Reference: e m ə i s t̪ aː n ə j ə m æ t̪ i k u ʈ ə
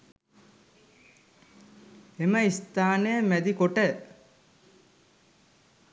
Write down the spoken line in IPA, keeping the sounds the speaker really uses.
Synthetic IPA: e m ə i s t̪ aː n ə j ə m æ d̪ i k o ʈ ə